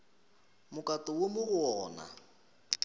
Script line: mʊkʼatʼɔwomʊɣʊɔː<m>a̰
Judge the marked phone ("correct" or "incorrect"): incorrect